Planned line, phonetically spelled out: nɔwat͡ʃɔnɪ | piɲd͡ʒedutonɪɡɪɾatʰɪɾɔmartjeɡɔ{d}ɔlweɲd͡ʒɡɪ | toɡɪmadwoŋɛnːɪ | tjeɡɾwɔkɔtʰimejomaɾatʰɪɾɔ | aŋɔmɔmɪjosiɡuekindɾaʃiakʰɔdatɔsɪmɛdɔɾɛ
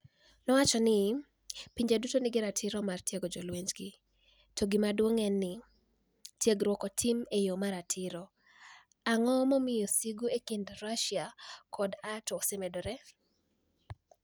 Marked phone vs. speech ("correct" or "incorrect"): incorrect